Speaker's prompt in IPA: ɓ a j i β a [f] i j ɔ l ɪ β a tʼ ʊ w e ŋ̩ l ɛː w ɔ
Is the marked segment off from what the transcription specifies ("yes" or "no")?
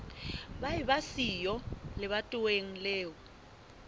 yes